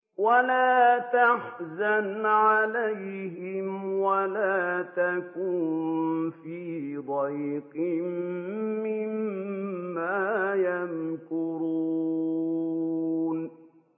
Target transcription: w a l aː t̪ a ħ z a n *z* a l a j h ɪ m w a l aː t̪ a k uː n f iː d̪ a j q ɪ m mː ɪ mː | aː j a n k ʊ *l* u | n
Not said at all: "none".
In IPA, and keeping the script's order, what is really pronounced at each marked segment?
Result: ʕ, ɾ

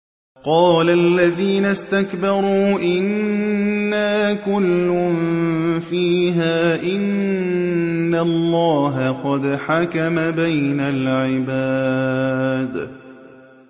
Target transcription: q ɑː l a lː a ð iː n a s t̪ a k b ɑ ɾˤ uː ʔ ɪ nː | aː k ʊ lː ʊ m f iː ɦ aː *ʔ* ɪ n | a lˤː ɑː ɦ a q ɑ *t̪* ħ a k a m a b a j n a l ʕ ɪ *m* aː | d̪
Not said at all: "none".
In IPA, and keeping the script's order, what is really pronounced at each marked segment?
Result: ʔ, d̪, b

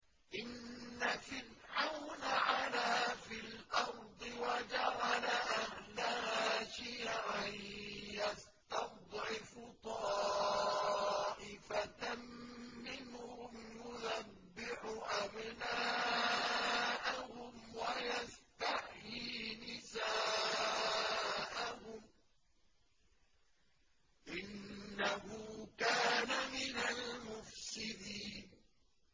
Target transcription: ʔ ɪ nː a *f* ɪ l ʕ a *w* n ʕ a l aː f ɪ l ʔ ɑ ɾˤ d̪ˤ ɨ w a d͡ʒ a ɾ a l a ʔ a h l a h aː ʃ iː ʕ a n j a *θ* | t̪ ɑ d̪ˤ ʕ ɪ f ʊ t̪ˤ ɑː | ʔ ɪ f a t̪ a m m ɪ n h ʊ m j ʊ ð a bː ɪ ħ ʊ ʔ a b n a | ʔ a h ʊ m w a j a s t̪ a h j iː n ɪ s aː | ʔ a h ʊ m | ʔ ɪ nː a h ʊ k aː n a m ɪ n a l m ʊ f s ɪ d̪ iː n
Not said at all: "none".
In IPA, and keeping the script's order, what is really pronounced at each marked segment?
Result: f, w, s

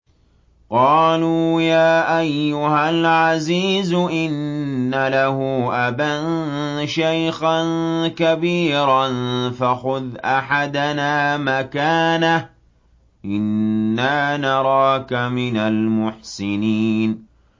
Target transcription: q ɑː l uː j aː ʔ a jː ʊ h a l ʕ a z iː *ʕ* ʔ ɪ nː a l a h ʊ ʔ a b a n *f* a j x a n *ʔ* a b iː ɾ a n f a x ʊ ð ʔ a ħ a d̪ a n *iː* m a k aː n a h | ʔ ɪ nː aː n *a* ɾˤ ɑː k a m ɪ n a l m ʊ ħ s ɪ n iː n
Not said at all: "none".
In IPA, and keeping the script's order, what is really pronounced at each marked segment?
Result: z, ʃ, k, aː, ɑ

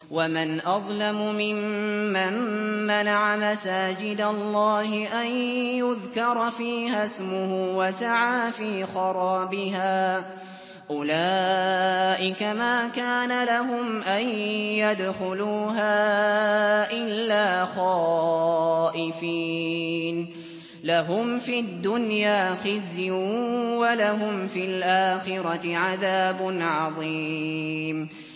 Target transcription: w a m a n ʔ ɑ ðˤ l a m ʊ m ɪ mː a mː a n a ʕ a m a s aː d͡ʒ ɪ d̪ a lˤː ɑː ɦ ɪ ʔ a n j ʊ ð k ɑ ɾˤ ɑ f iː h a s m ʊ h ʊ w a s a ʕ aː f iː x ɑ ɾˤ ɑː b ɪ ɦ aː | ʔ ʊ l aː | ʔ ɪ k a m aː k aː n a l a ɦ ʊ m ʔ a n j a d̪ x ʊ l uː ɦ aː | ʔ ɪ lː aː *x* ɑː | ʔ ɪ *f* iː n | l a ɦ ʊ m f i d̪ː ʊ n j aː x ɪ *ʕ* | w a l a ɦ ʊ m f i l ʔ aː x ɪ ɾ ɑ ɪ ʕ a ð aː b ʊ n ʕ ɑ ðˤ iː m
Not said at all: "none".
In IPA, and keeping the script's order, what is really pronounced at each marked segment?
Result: x, f, z

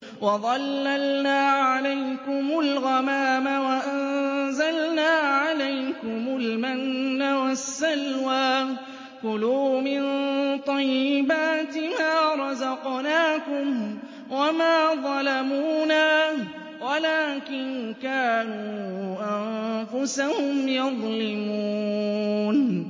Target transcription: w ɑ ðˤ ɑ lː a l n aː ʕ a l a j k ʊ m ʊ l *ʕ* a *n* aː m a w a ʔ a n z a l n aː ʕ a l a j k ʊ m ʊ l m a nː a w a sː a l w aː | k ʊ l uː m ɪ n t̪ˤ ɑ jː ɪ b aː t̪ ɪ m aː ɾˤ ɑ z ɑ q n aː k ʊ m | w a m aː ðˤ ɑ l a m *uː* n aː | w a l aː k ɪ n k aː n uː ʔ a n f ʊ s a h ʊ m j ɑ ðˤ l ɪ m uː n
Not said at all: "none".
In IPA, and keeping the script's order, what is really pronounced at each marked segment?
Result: ɣ, m, uː

